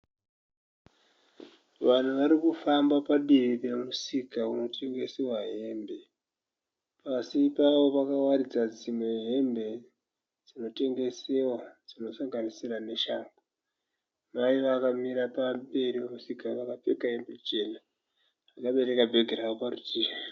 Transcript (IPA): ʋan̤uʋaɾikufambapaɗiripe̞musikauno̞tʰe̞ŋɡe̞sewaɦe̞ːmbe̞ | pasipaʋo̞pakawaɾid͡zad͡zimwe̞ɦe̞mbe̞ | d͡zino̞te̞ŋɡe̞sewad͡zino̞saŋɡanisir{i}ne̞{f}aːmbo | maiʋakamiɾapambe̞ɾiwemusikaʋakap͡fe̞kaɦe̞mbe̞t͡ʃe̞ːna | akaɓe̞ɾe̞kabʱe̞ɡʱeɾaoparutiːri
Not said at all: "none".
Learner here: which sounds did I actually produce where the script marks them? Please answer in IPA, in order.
a, ʃ

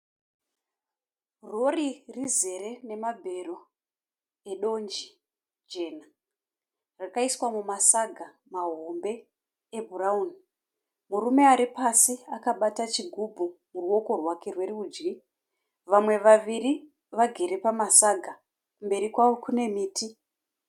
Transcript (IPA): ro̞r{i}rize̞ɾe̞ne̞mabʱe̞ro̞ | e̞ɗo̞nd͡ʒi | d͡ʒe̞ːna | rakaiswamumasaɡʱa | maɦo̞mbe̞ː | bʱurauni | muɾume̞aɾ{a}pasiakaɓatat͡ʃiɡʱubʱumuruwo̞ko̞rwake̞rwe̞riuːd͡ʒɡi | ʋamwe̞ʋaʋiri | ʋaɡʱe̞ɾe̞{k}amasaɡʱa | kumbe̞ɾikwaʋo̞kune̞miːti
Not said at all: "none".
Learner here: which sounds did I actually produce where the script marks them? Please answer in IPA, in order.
i, i, p

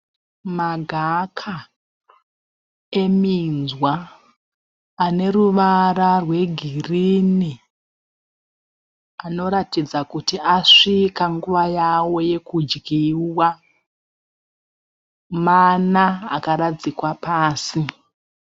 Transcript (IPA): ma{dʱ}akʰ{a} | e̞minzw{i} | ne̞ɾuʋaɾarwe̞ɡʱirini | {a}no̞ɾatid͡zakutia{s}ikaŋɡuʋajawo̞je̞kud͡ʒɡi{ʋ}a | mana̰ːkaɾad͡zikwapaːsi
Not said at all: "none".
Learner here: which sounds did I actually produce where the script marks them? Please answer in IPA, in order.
ɡʱ, a, a, a, ʂ, w

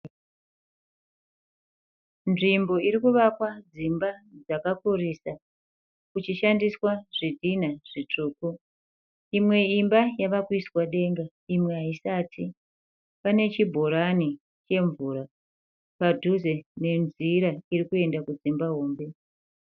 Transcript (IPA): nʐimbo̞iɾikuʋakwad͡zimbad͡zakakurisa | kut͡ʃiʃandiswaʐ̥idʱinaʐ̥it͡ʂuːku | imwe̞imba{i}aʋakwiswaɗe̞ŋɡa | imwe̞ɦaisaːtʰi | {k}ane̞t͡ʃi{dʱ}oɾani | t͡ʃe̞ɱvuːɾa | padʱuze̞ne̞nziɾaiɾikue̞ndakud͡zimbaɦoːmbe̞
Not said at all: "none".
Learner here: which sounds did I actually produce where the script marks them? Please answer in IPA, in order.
j, p, bʱ

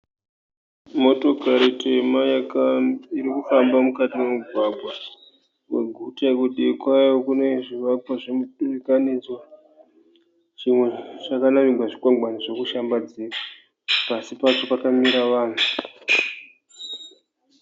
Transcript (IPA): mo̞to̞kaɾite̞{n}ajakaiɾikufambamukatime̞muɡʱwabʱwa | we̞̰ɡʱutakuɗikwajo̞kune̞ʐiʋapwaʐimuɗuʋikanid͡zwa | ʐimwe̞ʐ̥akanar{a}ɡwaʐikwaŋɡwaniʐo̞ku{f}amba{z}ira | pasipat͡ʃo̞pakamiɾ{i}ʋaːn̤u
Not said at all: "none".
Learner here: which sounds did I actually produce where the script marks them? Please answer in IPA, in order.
m, i, ʃ, d͡z, a

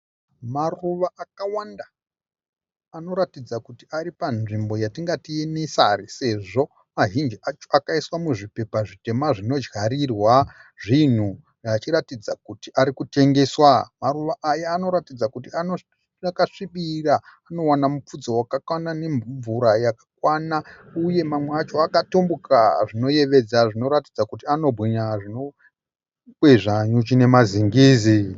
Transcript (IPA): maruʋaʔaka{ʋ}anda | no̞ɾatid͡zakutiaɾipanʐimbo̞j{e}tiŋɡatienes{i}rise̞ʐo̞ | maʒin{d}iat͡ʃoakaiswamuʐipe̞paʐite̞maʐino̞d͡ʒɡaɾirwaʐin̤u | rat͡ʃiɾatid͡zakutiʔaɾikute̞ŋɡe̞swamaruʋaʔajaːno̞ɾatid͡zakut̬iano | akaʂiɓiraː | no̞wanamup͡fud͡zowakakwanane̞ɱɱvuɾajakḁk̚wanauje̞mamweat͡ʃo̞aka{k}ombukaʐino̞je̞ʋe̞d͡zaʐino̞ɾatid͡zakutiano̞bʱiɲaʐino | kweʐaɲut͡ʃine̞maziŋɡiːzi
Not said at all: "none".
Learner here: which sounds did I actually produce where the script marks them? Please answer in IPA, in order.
w, a, a, d͡ʒ, t

